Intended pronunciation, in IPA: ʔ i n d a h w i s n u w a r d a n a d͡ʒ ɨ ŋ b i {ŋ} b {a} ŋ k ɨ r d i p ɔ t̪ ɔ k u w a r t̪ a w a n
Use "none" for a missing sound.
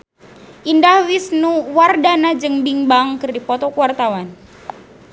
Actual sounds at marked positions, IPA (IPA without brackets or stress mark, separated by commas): ŋ, a